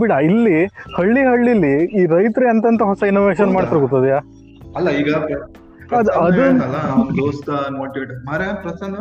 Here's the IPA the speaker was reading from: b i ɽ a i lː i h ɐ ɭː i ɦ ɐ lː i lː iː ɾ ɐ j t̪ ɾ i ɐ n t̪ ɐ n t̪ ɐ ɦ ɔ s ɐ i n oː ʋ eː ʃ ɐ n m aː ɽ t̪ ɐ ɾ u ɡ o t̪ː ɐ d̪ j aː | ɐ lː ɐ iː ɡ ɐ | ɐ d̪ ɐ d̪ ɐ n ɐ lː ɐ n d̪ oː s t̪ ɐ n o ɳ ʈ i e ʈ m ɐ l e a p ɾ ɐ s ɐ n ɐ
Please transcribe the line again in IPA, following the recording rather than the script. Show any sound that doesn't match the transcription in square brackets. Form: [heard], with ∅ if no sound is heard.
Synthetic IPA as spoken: b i ɽ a i lː i h ɐ ɭː i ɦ ɐ [ɭː] i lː iː ɾ ɐ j t̪ ɾ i ɐ n t̪ ɐ n t̪ ɐ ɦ ɔ s ɐ i n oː ʋ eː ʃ ɐ n m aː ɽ t̪ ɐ ɾ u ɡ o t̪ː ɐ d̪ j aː | ɐ lː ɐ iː ɡ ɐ | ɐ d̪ ɐ d̪ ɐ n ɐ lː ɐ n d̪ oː s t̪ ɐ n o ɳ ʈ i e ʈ m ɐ [ɾ] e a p ɾ ɐ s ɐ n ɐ